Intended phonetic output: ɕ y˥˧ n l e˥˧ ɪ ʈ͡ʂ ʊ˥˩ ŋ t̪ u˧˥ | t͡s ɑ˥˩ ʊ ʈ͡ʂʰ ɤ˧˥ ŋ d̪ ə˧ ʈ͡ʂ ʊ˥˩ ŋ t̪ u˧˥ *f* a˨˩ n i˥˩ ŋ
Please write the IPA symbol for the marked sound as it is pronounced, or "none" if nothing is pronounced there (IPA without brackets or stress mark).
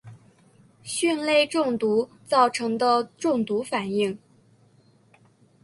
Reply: f